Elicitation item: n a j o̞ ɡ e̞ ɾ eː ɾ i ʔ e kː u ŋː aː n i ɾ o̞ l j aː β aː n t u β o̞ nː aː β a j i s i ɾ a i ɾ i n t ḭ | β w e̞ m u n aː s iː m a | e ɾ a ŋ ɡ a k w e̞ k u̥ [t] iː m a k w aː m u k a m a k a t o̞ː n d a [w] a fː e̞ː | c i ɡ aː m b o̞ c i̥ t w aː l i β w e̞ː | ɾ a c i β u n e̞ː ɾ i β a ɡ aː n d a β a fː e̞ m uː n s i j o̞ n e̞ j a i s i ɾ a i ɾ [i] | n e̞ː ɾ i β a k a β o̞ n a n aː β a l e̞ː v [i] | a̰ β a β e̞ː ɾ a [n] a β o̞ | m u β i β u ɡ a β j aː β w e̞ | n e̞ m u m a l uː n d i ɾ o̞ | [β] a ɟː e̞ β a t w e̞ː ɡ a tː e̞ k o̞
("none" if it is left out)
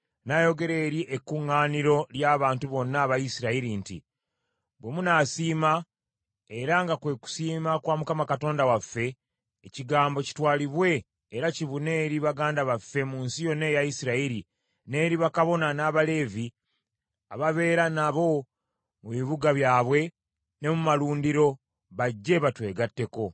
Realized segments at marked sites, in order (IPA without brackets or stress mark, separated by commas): s, w, i, i, n, β